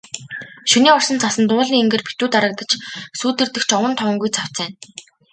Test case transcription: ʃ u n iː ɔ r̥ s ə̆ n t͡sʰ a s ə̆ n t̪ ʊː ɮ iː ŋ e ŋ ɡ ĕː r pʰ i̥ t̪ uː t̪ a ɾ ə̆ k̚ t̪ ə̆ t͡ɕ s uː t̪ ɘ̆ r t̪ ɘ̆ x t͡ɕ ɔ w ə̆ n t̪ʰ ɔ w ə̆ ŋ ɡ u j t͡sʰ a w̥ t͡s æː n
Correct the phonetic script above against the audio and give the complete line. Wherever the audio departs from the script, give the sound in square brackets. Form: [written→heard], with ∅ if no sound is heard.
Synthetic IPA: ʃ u n iː ɔ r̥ s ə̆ n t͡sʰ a s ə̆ n t̪ ʊː ɮ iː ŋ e ŋ ɡ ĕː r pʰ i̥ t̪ uː t̪ a ɾ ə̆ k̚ t̪ ə̆ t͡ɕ s uː t̪ ɘ̆ r t̪ ɘ̆ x t͡ɕ ɔ w ə̆ n t̪ʰ ɔ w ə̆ ŋ ɡ u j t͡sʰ a w̥ t͡s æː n